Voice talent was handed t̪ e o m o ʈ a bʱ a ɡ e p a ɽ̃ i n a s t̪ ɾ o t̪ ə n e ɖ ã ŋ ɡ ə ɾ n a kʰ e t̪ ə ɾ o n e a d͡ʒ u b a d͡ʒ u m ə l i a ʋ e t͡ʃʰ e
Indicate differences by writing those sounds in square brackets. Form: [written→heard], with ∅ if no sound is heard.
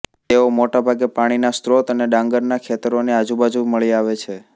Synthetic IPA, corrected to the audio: t̪ e o m o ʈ a bʱ a ɡ e p a ɽ̃ i n a s t̪ ɾ o t̪ ə n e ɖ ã ŋ ɡ ə ɾ n a kʰ e t̪ ə ɾ o n e a d͡ʒ u b a d͡ʒ u m ə [l→ɭ] i a ʋ e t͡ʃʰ e